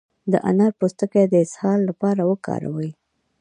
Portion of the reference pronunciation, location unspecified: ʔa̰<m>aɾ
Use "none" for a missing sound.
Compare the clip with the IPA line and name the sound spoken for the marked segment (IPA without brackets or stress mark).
n